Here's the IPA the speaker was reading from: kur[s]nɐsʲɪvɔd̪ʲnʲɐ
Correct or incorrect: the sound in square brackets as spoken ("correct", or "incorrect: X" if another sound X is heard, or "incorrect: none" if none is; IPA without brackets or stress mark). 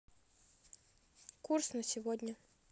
correct